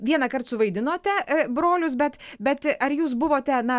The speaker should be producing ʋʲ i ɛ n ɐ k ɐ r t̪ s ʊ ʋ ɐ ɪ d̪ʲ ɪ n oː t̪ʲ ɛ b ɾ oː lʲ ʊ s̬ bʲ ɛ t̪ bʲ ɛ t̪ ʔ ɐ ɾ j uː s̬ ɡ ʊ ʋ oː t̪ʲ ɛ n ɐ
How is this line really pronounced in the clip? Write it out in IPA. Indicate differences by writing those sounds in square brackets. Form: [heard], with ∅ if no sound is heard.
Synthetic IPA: ʋʲ i ɛ n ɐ k ɐ r t̪ s ʊ ʋ ɐ ɪ d̪ʲ ɪ n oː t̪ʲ ɛ b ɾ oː lʲ ʊ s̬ bʲ ɛ t̪ bʲ ɛ t̪ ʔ ɐ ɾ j uː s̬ [b] ʊ ʋ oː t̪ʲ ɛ n ɐ